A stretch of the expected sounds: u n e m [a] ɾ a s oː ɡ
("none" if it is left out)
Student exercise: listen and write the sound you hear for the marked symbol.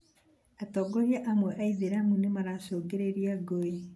a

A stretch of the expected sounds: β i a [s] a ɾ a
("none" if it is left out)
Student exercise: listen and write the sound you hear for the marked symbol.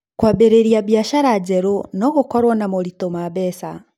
ʃ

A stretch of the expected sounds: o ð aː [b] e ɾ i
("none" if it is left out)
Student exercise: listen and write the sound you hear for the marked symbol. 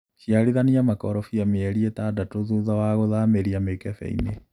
m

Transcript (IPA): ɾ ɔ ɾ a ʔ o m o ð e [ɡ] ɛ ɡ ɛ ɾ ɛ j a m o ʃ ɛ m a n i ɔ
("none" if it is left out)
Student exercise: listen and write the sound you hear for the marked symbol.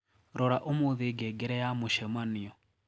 ɡ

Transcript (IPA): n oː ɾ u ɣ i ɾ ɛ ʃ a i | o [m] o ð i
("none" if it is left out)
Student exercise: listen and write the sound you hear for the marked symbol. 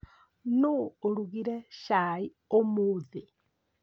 m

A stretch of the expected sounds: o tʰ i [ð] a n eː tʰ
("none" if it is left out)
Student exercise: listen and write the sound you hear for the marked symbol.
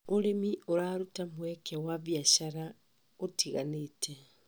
ɣ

